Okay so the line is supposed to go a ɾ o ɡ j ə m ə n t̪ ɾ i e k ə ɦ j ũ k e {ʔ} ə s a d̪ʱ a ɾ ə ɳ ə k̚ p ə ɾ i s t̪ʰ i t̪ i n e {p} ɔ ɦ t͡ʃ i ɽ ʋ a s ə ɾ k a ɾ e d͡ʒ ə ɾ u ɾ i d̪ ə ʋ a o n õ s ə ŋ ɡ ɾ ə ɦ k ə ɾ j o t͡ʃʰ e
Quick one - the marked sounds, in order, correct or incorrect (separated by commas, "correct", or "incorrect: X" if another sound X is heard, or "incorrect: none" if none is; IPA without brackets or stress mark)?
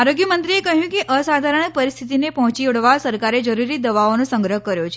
correct, correct